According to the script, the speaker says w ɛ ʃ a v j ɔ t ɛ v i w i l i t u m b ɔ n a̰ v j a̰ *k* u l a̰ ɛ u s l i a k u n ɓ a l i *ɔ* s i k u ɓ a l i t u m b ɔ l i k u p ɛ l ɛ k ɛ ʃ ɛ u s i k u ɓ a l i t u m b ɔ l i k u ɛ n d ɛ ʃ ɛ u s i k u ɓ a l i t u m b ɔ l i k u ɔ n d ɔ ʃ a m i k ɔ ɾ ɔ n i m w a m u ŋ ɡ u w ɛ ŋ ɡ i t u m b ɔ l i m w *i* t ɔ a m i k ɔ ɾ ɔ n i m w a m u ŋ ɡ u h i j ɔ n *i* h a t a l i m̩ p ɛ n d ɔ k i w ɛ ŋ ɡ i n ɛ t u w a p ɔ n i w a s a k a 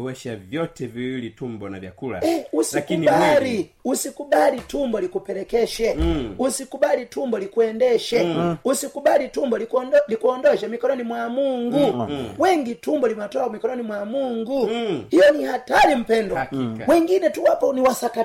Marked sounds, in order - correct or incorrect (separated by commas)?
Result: correct, incorrect, incorrect, correct